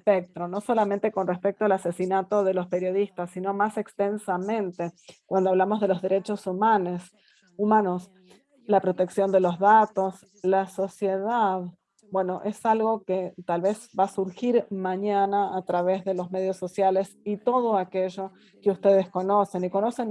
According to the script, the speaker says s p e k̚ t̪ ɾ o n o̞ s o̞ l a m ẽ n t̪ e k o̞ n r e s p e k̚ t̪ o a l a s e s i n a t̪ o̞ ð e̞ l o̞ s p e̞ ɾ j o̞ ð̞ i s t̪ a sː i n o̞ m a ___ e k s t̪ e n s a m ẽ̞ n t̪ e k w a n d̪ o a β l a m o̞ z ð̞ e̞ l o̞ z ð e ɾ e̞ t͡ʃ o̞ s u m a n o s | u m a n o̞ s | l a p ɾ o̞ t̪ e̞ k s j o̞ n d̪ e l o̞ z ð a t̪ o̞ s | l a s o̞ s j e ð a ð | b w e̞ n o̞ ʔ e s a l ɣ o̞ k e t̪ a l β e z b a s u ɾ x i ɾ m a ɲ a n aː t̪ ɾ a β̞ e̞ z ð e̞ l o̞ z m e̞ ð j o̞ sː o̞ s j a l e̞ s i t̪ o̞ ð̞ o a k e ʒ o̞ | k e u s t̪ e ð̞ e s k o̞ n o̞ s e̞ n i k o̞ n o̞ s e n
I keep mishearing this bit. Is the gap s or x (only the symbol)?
s